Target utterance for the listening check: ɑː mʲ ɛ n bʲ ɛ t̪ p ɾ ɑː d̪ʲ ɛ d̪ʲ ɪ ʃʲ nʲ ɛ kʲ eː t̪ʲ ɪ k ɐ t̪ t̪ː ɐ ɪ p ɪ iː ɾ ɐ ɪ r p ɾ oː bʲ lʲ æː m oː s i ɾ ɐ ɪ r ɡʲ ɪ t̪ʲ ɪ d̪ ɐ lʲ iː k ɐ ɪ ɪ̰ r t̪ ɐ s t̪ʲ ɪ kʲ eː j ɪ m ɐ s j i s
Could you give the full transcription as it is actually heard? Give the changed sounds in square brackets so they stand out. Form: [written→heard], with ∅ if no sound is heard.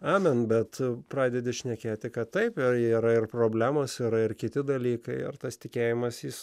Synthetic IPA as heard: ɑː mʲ ɛ n bʲ ɛ t̪ p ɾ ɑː d̪ʲ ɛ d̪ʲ ɪ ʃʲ nʲ ɛ kʲ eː t̪ʲ ɪ k ɐ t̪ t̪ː ɐ ɪ p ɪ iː ɾ ɐ ɪ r p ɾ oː bʲ lʲ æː m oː s i ɾ ɐ ɪ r [ɡʲ→kʲ] ɪ t̪ʲ ɪ d̪ ɐ lʲ iː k ɐ ɪ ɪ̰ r t̪ ɐ s t̪ʲ ɪ kʲ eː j ɪ m ɐ s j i s